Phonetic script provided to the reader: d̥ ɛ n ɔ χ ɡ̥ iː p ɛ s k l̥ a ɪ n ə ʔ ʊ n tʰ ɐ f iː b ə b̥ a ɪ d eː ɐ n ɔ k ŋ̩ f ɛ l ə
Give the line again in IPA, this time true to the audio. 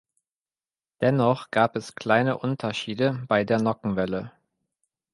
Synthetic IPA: d̥ ɛ n ɔ χ ɡ̥ aː p ɛ s k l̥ a ɪ n ə ʔ ʊ n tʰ ɐ ʃ iː d ə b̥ a ɪ d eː ɐ n ɔ k ŋ̩ v ɛ l ə